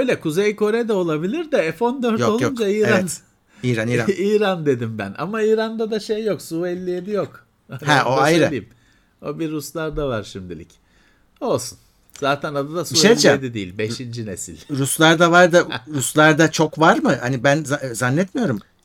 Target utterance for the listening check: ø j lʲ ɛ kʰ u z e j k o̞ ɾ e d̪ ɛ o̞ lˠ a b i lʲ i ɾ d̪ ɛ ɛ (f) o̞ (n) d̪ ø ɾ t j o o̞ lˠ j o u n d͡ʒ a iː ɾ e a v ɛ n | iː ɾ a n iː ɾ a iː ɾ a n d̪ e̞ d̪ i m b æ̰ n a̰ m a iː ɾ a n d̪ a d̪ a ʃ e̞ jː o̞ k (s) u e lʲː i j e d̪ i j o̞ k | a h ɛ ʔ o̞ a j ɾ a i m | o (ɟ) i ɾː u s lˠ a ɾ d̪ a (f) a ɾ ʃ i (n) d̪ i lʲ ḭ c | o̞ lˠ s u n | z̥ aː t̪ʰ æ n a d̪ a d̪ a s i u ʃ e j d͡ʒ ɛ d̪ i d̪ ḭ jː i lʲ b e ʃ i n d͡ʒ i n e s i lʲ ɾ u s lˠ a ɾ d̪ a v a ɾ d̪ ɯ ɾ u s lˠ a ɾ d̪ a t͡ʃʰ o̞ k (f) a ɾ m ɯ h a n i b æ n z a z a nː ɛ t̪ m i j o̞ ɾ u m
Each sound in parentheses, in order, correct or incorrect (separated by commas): correct, correct, correct, incorrect, incorrect, incorrect, incorrect